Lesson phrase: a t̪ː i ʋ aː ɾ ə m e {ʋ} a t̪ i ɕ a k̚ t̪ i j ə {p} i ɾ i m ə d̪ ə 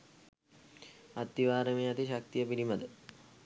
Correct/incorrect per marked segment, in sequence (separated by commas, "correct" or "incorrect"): incorrect, correct